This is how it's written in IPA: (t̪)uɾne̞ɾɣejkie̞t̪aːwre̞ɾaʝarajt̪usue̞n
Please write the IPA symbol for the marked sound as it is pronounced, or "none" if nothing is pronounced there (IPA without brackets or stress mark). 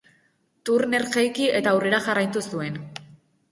t̪